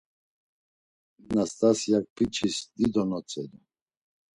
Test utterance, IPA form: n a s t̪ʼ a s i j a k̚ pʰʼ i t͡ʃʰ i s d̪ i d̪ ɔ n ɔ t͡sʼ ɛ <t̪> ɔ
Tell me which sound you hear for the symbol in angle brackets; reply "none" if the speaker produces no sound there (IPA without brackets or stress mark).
d̪